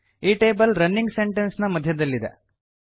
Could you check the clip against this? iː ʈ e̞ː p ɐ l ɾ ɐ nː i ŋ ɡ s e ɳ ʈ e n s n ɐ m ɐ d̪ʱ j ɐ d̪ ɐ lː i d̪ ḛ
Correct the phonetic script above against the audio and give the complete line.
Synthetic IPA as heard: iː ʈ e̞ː b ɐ l ɾ ɐ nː i ŋ ɡ s e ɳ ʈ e n s n ɐ m ɐ d̪ʱ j ɐ d̪ ɐ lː i d̪ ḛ